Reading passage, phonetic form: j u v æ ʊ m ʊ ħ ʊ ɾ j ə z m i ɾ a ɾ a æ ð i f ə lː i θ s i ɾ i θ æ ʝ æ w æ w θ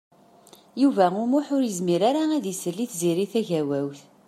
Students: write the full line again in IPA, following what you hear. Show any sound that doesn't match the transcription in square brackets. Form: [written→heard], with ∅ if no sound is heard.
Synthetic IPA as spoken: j u v æ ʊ m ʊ ħ ʊ ɾ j ə z m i ɾ a ɾ a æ ð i [f→s] ə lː i θ [s→z] i ɾ i θ æ ʝ æ w æ w θ